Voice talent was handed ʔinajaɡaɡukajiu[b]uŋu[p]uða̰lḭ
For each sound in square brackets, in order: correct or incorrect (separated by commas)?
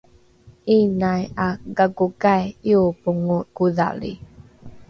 incorrect, incorrect